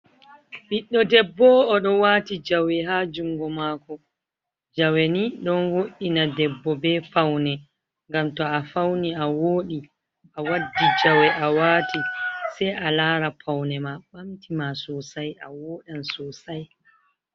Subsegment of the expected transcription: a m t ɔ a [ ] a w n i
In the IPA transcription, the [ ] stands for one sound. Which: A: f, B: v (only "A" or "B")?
A